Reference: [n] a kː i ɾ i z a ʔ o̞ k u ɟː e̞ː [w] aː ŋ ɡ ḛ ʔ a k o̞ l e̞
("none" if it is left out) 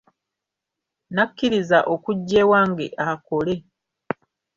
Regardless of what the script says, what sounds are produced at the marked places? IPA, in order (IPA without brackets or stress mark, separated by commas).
n, w